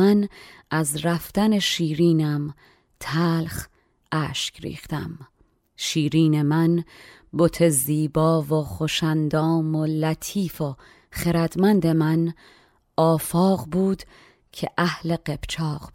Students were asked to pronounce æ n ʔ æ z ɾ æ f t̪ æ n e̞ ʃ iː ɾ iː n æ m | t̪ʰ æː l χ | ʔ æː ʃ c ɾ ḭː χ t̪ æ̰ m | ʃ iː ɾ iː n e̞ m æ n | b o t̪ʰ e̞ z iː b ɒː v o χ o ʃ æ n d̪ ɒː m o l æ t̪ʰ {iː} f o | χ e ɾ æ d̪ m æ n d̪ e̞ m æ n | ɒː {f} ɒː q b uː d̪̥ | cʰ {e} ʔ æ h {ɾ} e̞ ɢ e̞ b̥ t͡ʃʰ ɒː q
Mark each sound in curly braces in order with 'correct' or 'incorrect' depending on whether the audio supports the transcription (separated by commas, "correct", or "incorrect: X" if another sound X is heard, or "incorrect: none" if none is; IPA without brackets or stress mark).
correct, correct, correct, incorrect: l